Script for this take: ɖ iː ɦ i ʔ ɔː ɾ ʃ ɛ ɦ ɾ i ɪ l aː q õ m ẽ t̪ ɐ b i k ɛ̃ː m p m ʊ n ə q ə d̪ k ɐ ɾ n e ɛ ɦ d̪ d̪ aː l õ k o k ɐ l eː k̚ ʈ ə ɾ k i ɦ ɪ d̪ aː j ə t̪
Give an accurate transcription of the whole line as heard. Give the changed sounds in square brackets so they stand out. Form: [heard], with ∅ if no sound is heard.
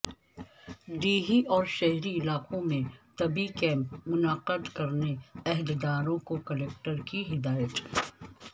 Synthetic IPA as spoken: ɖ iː ɦ i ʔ ɔː ɾ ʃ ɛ ɦ ɾ i ɪ l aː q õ m ẽ t̪ ɐ b i k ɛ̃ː m p m ʊ n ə q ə d̪ k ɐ ɾ n e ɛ ɦ d̪ d̪ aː [ɾ] õ k o k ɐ l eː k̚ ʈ ə ɾ k i ɦ ɪ d̪ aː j ə t̪

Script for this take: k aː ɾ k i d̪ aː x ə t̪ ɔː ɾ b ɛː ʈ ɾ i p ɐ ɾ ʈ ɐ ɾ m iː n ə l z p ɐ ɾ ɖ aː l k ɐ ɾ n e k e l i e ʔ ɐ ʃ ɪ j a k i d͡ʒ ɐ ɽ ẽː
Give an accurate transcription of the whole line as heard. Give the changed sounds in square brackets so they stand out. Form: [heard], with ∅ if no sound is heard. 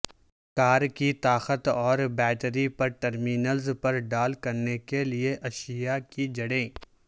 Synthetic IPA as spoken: k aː ɾ k i [t̪] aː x ə t̪ ɔː ɾ b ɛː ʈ ɾ i p ɐ ɾ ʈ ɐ ɾ m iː n ə l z p ɐ ɾ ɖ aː l k ɐ ɾ n e k e l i e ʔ ɐ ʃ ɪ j a k i d͡ʒ ɐ ɽ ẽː

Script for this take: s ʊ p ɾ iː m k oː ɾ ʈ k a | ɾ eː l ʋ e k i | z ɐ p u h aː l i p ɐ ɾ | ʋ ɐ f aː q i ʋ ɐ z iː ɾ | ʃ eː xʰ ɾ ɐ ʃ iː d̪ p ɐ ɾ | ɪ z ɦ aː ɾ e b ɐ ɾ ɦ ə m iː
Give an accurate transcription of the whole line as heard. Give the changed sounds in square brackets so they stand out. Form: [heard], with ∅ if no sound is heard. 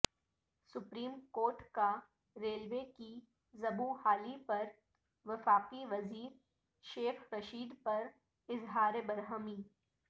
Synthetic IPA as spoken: s ʊ p ɾ iː m k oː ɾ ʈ k a | ɾ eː l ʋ e k i | z ɐ [b] u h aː l i p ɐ ɾ | ʋ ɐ f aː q i ʋ ɐ z iː ɾ | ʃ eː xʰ ɾ ɐ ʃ iː d̪ p ɐ ɾ | ɪ z ɦ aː ɾ e b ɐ ɾ ɦ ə m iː

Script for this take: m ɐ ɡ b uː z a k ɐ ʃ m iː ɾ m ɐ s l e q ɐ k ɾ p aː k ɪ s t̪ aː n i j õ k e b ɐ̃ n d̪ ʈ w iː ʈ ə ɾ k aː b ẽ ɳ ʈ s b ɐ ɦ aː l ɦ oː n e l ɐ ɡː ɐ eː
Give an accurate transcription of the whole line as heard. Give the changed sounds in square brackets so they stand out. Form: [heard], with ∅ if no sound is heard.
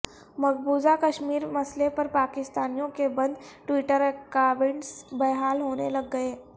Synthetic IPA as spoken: m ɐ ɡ b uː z a k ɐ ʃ m iː ɾ m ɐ s l e [p] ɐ [∅] ɾ p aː k ɪ s t̪ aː n i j õ k e b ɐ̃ n d̪ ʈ w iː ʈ ə ɾ k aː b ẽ ɳ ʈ s b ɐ ɦ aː l ɦ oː n e l ɐ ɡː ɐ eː

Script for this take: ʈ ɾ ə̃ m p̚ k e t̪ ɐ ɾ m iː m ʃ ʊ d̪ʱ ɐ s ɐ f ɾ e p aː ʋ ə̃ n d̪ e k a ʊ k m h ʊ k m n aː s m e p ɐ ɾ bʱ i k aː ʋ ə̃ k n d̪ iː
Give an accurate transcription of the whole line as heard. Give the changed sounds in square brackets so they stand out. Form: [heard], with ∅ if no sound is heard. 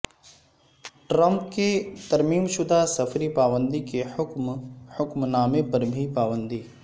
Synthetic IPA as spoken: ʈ ɾ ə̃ m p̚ k e t̪ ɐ ɾ m iː m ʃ ʊ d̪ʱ [a] s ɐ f ɾ [i] p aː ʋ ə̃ n d̪ [i] k [e] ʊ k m h ʊ k m n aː [∅] m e p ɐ ɾ bʱ i [p] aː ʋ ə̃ [∅] n d̪ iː

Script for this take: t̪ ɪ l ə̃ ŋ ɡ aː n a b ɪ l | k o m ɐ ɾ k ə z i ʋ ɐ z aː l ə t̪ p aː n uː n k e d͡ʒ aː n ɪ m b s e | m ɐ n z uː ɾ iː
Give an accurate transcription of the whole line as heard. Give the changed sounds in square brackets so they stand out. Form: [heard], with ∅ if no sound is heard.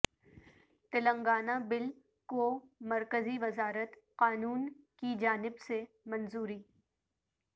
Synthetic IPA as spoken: t̪ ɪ l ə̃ ŋ ɡ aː n a b ɪ l | k o m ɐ ɾ k ə z i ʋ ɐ z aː [ɾ] ə t̪ [q] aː n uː n k [i] d͡ʒ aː n ɪ [∅] b s e | m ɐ n z uː ɾ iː

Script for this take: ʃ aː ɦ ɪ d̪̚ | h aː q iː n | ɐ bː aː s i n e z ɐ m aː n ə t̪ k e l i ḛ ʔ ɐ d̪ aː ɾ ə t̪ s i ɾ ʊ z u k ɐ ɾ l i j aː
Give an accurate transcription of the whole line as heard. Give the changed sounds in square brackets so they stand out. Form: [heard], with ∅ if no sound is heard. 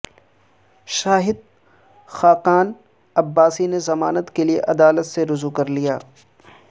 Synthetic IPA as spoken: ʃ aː ɦ ɪ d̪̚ | [x] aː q [aː] n | ɐ bː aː s i n e z ɐ m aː n ə t̪ k e l i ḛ ʔ ɐ d̪ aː [l] ə t̪ s [e] ɾ ʊ z u k ɐ ɾ l i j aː

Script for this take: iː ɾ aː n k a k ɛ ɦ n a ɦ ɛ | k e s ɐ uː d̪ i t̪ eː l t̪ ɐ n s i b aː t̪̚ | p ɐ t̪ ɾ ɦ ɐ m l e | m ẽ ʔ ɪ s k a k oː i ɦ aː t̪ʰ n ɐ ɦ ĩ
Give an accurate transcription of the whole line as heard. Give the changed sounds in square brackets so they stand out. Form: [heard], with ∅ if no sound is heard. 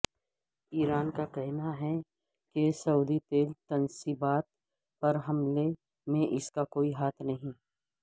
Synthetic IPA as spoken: iː ɾ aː n k a k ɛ ɦ n a ɦ ɛ | k e s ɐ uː d̪ i t̪ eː l t̪ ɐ n s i b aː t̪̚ | p ɐ [∅] ɾ ɦ ɐ m l e | m ẽ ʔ ɪ s k a k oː i ɦ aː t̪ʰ n ɐ ɦ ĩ

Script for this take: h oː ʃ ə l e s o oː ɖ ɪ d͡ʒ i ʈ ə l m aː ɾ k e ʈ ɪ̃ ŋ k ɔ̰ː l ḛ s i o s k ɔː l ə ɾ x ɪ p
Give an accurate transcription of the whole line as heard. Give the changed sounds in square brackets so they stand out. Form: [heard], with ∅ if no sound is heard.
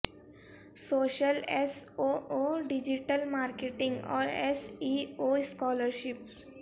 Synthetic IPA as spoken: [s] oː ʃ ə l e s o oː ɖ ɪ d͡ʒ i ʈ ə l m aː ɾ k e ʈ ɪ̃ ŋ [ɡ] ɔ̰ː [ɾ] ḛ s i o s k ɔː l ə ɾ [ʃ] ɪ p

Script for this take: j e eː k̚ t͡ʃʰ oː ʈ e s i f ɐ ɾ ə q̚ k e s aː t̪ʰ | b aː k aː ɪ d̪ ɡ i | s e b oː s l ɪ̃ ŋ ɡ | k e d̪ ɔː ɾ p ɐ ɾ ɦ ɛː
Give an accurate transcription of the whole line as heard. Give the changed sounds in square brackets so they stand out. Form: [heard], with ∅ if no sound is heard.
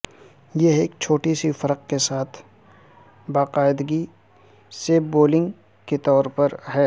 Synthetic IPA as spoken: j e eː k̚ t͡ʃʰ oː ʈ [i] s i f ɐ ɾ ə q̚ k e s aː t̪ʰ | b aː [q] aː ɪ d̪ ɡ i | s e b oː [∅] l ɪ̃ ŋ ɡ | k e [t̪] ɔː ɾ p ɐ ɾ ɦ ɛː

